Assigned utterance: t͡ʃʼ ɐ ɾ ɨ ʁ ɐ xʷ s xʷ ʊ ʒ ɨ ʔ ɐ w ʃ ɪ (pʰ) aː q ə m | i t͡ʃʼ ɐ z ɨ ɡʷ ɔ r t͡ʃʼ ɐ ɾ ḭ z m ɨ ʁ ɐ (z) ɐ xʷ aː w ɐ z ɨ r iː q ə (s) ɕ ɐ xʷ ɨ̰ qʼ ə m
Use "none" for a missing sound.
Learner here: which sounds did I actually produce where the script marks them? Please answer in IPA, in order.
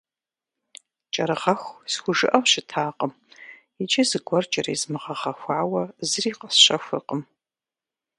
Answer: tʰ, ʁ, s

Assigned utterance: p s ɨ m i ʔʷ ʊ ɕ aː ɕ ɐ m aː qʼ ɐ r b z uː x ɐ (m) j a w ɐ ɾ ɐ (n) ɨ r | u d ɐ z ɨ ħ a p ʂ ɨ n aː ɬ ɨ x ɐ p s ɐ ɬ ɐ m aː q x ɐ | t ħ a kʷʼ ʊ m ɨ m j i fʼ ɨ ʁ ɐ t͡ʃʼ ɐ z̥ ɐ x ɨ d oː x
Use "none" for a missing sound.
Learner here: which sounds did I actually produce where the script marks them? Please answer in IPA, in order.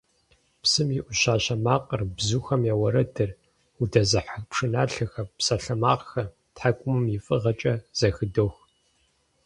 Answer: m, d

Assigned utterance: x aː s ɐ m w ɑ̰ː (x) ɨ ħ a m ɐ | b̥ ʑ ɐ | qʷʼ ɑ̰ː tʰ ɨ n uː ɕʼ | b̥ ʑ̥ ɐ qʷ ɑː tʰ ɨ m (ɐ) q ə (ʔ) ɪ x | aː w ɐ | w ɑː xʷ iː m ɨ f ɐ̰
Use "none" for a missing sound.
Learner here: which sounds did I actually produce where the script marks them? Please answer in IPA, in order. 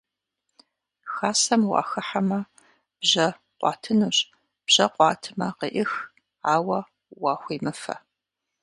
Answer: x, ɐ, ʔ

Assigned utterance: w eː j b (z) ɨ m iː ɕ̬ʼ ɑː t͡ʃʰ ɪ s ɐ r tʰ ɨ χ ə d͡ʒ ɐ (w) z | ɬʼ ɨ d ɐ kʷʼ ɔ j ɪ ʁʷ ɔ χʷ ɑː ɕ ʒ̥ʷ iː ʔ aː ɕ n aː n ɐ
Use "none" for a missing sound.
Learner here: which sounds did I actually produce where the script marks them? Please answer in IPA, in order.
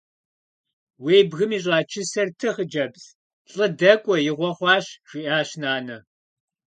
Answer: ɣ, b

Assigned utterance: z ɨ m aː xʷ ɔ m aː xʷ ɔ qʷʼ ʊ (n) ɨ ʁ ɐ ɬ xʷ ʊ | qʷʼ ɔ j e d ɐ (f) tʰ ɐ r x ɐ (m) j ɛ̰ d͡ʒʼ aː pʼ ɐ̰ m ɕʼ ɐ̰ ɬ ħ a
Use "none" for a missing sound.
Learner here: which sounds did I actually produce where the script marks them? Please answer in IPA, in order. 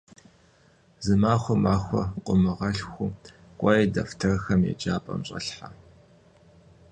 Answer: m, f, m

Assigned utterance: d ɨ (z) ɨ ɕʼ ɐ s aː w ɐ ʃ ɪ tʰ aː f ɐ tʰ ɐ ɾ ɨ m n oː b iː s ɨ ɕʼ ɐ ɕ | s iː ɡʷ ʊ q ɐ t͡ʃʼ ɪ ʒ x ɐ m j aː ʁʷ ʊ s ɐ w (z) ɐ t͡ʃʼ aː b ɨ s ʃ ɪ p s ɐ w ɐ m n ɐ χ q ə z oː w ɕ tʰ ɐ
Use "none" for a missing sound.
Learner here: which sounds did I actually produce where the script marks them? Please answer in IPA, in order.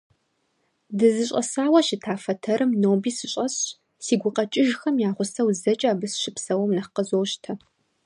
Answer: z, z

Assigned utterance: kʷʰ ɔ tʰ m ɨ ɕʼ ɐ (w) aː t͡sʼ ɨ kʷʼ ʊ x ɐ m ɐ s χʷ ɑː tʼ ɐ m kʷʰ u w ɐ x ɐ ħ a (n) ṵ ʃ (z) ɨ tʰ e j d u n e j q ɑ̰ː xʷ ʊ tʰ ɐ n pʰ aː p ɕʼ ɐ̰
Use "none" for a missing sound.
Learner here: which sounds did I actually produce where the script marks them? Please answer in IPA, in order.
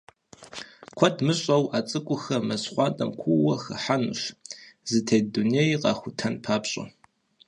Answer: w, n, z

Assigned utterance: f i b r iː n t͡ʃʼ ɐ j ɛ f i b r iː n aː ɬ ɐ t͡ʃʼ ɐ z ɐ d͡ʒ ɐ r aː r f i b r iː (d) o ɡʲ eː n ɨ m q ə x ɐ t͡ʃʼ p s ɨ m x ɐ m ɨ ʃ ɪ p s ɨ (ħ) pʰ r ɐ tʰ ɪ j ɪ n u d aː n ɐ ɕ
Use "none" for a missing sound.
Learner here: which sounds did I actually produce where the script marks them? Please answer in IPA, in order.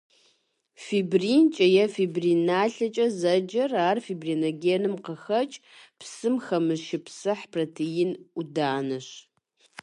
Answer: n, ħ

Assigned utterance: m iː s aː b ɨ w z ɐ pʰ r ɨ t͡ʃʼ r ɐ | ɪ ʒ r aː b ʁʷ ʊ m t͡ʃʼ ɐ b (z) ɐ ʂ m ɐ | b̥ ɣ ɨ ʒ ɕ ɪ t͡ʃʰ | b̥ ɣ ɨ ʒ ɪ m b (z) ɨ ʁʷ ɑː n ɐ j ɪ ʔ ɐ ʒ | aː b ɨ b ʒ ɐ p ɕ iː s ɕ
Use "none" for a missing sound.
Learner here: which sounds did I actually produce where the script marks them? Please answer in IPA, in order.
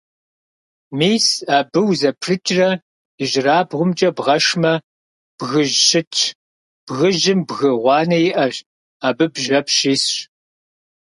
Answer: ʁ, ɣ

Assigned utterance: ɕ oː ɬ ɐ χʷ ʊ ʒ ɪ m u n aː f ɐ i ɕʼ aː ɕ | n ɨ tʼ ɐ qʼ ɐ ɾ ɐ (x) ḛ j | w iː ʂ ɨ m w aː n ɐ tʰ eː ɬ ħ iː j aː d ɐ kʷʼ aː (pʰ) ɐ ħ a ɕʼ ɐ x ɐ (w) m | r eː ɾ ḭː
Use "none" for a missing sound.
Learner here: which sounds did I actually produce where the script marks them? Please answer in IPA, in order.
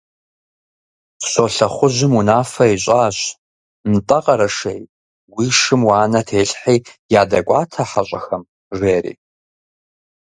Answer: ʂ, tʰ, none

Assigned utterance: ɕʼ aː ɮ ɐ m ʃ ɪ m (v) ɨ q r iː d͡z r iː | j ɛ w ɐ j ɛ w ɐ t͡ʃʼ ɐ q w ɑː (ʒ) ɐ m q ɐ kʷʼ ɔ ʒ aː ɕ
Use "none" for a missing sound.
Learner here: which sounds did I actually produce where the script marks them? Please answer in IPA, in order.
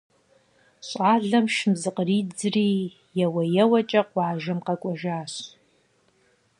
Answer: z, ʒ

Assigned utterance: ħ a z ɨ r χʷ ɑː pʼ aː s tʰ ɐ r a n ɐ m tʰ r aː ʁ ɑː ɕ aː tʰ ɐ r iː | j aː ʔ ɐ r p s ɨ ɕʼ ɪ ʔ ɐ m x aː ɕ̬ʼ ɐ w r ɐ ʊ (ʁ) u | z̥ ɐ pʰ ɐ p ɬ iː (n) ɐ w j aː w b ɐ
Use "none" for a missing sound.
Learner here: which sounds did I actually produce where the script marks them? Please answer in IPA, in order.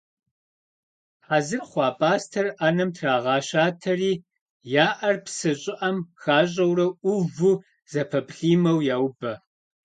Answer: v, m

